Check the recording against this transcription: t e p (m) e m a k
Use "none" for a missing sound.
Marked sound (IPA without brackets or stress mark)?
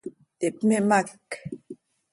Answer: m